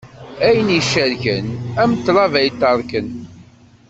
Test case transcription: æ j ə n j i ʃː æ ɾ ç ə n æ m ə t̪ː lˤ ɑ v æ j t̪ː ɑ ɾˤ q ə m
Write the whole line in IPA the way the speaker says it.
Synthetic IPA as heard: æ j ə n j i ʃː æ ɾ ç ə n æ m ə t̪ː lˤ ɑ v æ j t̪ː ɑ ɾˤ k ə n